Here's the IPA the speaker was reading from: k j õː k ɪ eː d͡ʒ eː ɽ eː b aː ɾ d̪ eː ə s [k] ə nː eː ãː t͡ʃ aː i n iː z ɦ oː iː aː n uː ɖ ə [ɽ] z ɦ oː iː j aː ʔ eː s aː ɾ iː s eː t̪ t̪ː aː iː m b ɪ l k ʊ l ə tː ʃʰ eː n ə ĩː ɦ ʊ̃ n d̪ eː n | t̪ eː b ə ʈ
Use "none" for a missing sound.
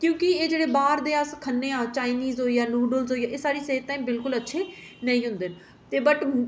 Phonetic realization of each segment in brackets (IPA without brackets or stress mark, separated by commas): kʰ, l